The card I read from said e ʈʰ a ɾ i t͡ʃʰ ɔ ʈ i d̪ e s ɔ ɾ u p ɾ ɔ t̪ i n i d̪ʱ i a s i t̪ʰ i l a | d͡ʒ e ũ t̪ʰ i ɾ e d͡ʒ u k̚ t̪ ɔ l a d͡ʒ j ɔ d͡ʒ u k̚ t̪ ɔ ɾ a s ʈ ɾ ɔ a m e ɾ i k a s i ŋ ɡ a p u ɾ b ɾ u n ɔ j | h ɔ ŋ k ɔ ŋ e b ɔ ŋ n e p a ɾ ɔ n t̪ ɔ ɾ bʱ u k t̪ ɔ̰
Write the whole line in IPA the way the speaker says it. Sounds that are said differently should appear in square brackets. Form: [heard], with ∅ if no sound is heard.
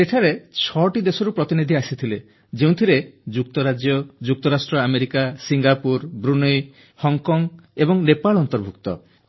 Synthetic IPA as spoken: e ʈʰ a ɾ [e] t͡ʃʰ ɔ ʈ i d̪ e s ɔ ɾ u p ɾ ɔ t̪ i n i d̪ʱ i a s i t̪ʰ i l [e] | d͡ʒ e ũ t̪ʰ i ɾ e d͡ʒ u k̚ t̪ ɔ [ɾ] a d͡ʒ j ɔ d͡ʒ u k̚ t̪ ɔ ɾ a s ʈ ɾ ɔ a m e ɾ i k a s i ŋ ɡ a p u ɾ b ɾ u n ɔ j | h ɔ ŋ k ɔ ŋ e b ɔ ŋ n e p a [ɭ] ɔ n t̪ ɔ ɾ bʱ u k t̪ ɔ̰